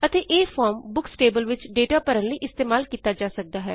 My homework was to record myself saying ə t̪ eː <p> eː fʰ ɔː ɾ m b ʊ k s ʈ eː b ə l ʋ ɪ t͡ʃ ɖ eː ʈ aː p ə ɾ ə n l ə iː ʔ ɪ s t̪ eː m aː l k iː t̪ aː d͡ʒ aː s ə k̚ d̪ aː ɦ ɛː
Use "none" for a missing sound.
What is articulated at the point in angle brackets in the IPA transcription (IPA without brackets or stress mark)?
ʔ